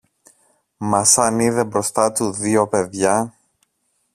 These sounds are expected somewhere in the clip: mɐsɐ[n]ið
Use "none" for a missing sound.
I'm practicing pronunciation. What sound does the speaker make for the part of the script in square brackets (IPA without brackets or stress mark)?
n